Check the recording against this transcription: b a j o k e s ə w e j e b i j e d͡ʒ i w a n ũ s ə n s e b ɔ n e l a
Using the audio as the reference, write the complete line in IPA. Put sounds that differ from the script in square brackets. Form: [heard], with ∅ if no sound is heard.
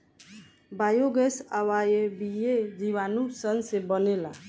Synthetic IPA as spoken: b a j o [ɡ] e s [a] w [a] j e b i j e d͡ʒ i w a n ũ s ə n s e b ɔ n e l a

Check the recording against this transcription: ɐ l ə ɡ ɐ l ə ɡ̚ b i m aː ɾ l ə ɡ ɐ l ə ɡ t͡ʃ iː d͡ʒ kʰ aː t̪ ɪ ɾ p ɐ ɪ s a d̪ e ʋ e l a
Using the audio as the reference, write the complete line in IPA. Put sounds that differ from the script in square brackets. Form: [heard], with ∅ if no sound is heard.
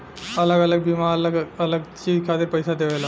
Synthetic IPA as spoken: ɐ l ə ɡ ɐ l ə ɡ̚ b i m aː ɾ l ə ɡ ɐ l ə ɡ t͡ʃ iː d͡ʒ kʰ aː t̪ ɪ ɾ p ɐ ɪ s a d̪ e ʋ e l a

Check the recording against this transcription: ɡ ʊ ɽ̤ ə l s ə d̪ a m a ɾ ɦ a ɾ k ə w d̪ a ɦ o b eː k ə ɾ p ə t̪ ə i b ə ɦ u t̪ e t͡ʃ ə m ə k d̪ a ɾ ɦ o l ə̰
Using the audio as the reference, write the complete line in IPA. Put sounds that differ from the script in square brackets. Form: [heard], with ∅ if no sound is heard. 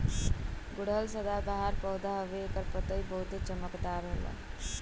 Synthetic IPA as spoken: ɡ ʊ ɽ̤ ə l s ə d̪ a [b] a [∅] ɦ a ɾ [p] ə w d̪ a ɦ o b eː k ə ɾ p ə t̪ ə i b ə ɦ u t̪ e t͡ʃ ə m ə k d̪ a ɾ ɦ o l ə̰

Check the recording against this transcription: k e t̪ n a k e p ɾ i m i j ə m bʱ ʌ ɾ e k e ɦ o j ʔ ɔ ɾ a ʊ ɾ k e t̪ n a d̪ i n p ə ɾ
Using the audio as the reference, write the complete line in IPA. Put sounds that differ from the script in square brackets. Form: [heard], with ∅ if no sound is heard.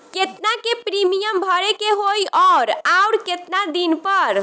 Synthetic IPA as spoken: k e t̪ n a k e p ɾ i m i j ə m bʱ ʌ ɾ e k e ɦ o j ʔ ɔ ɾ a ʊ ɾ k e t̪ n a d̪ i n p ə ɾ

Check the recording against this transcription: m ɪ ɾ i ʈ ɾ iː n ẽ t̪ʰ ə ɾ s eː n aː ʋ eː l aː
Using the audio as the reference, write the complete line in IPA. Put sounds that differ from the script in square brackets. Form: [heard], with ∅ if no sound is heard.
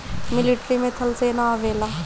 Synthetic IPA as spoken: m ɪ [l] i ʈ ɾ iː [m] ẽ t̪ʰ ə [l] s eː n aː ʋ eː l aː

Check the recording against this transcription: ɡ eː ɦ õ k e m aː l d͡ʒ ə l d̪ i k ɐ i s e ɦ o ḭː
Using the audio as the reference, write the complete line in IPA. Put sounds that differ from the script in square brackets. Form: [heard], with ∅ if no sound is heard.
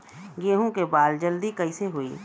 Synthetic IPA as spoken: ɡ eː ɦ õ k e [b] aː l d͡ʒ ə l d̪ i k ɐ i s e ɦ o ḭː

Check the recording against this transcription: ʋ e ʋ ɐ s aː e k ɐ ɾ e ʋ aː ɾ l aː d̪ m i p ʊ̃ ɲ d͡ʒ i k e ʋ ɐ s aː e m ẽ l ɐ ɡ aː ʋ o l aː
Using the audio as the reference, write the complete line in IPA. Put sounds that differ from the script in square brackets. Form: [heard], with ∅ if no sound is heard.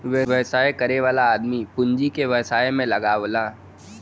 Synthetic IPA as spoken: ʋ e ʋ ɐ s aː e k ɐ ɾ e ʋ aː [∅] l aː d̪ m i p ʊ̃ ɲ d͡ʒ i k e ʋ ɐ s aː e m ẽ l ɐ ɡ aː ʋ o l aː

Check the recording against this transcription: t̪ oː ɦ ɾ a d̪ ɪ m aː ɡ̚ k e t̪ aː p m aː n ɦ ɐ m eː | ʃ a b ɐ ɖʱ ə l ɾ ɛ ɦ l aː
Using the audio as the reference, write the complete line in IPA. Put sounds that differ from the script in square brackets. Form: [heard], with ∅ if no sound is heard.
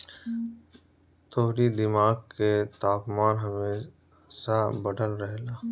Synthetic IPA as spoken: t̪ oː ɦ ɾ [i] d̪ ɪ m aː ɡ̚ k e t̪ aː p m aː n ɦ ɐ m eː | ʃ a b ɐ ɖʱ ə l ɾ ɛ ɦ l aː

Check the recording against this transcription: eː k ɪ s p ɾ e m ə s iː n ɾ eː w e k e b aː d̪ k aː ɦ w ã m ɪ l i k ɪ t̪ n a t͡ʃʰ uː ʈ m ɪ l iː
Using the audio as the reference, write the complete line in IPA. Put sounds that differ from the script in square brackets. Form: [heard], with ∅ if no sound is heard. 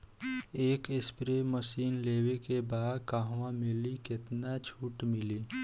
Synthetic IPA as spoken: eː k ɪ s p ɾ e m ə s iː n [l] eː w e k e b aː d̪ k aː ɦ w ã m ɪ l i k ɪ t̪ n a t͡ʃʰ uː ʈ m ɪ l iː

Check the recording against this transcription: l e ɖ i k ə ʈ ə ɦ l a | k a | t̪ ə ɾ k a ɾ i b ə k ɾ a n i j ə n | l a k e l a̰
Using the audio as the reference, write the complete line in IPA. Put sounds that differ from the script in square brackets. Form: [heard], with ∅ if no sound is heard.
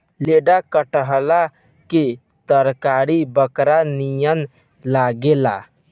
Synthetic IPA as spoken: l e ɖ [a] k ə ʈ ə ɦ l a | k [e] | t̪ ə ɾ k a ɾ i b ə k ɾ a n i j ə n | l a [ɡ] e l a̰

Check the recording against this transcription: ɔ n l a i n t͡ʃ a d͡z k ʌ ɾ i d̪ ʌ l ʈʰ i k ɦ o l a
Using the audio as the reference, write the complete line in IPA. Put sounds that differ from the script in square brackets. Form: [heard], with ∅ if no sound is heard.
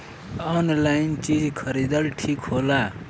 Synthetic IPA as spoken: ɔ n l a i n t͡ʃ [i] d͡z [kʰ] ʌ ɾ i d̪ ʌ l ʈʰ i k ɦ o l a

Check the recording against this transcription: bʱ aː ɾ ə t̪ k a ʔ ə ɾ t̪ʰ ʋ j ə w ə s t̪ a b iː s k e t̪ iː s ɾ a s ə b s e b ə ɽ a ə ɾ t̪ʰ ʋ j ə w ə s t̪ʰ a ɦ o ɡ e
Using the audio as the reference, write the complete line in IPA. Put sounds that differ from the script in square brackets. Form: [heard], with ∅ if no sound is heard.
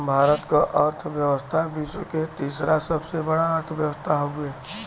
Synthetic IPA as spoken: bʱ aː ɾ ə t̪ k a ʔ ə ɾ t̪ʰ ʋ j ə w ə s [t̪ʰ] a b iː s k e t̪ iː s ɾ a s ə b s e b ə ɽ a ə ɾ t̪ʰ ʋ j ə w ə s t̪ʰ a ɦ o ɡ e

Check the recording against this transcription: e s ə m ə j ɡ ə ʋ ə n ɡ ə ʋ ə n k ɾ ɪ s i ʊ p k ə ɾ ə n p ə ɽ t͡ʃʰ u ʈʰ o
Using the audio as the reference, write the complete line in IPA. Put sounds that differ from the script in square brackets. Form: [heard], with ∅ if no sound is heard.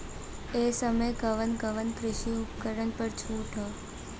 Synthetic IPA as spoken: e s ə m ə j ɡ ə ʋ ə n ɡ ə ʋ ə n k ɾ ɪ [ʃ] i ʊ p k ə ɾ ə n p ə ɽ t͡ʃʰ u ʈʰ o

